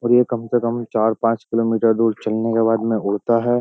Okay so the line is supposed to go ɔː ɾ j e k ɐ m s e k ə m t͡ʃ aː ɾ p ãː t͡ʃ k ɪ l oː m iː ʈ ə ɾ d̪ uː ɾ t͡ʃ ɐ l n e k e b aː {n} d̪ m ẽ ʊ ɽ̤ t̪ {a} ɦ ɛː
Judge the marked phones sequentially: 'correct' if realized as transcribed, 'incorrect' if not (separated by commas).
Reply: incorrect, correct